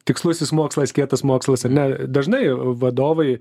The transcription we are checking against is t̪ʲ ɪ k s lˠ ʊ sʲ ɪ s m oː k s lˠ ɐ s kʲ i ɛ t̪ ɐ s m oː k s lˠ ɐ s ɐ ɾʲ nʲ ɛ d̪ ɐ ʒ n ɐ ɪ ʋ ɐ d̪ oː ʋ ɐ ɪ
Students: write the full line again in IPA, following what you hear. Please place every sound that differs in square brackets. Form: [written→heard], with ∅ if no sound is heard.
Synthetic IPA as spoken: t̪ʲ ɪ k s lˠ ʊ sʲ ɪ s m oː k s lˠ ɐ s kʲ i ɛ t̪ ɐ s m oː k s lˠ ɐ s ɐ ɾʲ nʲ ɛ d̪ ɐ ʒ n ɐ ɪ ʋ ɐ d̪ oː ʋ ɐ ɪ